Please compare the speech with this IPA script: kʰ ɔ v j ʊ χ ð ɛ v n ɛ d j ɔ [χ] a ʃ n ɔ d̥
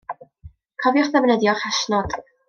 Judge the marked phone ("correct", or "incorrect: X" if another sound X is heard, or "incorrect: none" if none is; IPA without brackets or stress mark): correct